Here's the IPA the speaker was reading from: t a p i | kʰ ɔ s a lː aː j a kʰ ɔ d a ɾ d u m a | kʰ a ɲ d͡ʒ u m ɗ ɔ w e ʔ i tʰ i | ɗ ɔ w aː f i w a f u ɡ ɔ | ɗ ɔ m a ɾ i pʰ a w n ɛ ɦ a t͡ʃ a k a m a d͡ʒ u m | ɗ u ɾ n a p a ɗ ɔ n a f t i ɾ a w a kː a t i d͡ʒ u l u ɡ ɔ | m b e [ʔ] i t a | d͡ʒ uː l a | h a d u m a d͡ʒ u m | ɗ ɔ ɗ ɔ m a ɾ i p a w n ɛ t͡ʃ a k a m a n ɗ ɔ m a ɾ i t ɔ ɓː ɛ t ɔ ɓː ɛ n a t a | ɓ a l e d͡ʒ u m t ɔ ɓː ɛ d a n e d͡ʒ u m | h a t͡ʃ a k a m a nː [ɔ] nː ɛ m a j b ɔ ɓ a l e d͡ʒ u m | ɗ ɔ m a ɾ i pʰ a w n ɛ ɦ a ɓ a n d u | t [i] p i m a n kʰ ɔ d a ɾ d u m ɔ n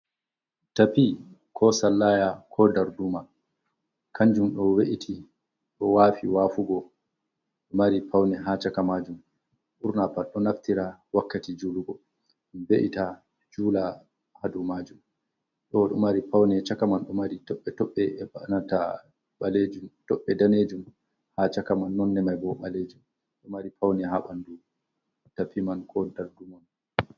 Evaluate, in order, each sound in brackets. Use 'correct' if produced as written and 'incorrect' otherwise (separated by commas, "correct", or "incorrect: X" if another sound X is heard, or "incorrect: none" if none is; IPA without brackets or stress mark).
correct, correct, incorrect: a